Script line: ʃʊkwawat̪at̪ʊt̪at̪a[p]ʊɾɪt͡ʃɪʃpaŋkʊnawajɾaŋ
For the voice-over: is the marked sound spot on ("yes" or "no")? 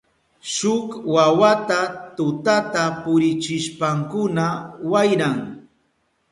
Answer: yes